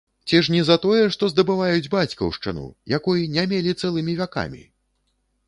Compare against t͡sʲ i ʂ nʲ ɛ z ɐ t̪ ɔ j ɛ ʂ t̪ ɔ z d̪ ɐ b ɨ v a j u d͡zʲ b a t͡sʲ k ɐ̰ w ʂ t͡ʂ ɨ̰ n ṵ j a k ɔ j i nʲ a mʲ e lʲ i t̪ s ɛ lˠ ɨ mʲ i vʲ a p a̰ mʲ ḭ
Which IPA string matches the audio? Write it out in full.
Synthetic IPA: t͡sʲ i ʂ nʲ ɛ z ɐ t̪ ɔ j ɛ ʂ t̪ ɔ z d̪ ɐ b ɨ v a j u d͡zʲ b a t͡sʲ k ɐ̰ w ʂ t͡ʂ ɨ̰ n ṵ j a k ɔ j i nʲ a mʲ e lʲ i t̪ s ɛ lˠ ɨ mʲ i vʲ a k a̰ mʲ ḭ